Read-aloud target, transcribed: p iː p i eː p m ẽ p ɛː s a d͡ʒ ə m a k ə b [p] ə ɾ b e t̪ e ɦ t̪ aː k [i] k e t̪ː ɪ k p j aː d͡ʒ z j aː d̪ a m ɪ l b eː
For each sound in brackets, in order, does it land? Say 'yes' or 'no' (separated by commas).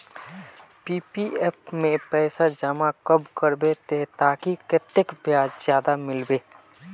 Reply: no, yes